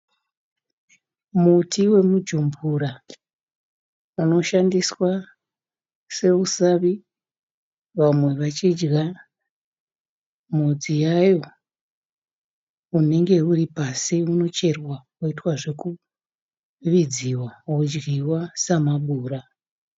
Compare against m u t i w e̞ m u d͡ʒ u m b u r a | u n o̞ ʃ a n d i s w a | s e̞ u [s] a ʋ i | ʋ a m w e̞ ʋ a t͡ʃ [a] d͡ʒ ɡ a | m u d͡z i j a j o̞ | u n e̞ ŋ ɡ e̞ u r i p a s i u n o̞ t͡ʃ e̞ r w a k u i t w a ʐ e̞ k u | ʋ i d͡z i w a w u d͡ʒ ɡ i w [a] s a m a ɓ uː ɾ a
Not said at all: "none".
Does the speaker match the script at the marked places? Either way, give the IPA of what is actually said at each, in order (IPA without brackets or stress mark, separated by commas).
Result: s, i, a